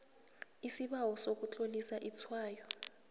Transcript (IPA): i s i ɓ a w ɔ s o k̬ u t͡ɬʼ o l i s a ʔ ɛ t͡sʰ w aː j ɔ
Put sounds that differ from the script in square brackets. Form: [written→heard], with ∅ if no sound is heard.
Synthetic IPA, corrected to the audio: i s i ɓ a w ɔ s o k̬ u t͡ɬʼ o l i s a ʔ [ɛ→i] t͡sʰ w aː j ɔ